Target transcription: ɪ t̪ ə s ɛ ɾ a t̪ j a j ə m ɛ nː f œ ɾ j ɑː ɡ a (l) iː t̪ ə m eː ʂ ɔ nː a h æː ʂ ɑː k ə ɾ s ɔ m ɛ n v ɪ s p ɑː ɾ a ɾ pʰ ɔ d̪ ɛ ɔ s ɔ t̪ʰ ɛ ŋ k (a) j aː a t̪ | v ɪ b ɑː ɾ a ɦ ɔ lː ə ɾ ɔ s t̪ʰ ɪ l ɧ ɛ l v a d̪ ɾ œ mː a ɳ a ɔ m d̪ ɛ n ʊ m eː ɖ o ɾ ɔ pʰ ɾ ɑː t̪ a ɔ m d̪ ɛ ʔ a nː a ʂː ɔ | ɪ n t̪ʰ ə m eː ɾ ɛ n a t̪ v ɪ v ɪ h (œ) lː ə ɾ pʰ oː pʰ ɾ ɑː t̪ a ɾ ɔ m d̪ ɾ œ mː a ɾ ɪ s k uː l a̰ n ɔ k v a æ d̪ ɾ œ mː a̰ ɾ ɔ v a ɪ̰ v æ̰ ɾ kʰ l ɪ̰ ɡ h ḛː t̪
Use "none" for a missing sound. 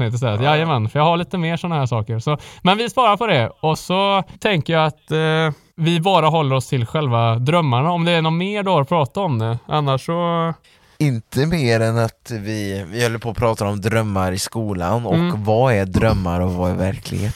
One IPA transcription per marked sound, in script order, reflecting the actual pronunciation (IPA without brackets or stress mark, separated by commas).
ɭ, ə, œ